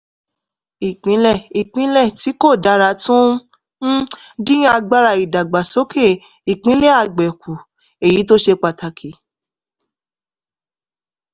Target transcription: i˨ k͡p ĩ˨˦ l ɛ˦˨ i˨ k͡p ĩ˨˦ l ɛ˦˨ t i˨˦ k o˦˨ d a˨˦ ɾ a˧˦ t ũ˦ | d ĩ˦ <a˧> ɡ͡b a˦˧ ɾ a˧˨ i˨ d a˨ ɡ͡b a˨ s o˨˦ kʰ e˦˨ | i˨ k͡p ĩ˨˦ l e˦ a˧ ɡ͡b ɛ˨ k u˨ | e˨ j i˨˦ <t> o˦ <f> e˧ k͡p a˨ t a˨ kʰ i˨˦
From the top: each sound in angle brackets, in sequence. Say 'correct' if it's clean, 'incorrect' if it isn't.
correct, correct, incorrect

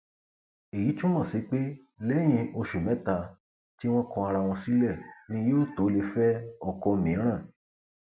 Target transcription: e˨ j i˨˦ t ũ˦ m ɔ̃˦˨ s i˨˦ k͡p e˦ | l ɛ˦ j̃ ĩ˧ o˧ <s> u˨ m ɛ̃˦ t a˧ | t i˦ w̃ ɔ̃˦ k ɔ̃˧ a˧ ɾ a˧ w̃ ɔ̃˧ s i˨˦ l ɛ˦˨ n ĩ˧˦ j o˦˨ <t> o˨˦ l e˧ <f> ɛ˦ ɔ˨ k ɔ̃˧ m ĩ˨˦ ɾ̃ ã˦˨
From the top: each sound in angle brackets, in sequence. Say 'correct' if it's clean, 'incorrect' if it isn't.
incorrect, correct, correct

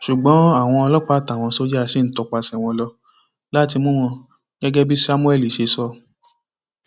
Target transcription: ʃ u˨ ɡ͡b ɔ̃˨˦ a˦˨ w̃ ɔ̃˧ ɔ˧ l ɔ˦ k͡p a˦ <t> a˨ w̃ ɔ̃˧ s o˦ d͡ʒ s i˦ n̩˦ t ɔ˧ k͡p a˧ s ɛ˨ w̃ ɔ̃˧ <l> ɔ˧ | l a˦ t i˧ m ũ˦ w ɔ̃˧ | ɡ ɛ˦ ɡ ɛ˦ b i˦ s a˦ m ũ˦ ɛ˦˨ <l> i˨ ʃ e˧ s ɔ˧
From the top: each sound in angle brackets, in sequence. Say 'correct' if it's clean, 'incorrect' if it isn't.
correct, correct, correct

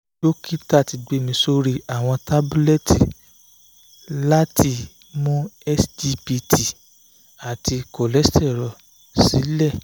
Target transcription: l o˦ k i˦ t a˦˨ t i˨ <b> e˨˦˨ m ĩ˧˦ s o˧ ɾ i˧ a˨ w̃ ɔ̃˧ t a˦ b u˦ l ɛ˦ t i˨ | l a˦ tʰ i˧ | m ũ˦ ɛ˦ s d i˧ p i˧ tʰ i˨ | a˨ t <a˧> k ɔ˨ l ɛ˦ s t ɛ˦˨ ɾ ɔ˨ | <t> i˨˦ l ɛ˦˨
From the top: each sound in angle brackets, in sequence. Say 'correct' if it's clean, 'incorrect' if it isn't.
incorrect, incorrect, incorrect

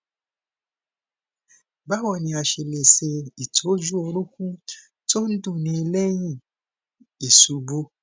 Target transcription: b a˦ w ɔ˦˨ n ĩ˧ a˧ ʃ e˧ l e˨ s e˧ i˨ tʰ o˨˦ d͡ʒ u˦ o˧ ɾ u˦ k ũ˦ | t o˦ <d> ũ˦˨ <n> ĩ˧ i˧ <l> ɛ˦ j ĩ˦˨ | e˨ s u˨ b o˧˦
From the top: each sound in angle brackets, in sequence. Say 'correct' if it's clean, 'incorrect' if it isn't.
correct, correct, correct

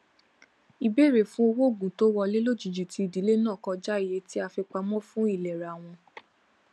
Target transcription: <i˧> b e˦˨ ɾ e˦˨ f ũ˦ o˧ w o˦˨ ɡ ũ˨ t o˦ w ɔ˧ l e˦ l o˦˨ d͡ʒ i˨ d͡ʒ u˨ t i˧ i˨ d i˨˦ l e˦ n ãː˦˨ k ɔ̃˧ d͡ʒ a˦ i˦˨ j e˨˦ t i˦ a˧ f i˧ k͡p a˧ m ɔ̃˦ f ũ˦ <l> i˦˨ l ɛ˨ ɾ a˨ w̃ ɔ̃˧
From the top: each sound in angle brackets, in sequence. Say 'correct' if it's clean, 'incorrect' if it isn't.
correct, incorrect

